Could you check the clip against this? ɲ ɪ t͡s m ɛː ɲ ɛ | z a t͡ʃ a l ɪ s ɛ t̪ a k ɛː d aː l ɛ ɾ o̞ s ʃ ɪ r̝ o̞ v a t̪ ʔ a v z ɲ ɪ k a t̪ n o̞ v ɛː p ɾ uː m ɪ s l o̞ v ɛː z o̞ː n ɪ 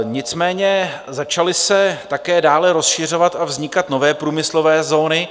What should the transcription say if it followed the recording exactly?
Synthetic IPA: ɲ ɪ t͡s m ɛː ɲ ɛ | z a t͡ʃ a l ɪ s ɛ t̪ a k ɛː d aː l ɛ ɾ o̞ s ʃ ɪ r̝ o̞ v a t̪ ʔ a v z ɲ ɪ k a t̪ n o̞ v ɛː p ɾ uː m ɪ s l o̞ v ɛː z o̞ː n ɪ